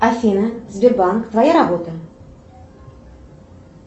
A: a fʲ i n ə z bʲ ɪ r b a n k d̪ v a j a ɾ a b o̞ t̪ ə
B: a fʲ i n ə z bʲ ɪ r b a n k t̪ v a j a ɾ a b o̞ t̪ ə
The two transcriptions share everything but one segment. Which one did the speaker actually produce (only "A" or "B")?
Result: B